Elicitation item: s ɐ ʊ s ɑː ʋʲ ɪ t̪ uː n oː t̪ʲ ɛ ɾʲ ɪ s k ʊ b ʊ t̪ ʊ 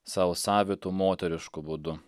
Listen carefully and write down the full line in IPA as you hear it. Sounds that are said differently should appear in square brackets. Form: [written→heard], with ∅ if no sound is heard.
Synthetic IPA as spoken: s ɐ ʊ s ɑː ʋʲ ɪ t̪ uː [n→m] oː t̪ʲ ɛ ɾʲ ɪ [s→ʃ] k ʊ b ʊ [t̪→d̪] ʊ